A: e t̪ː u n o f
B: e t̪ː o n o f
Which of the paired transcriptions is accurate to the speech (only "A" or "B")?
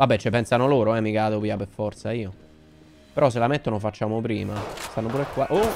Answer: B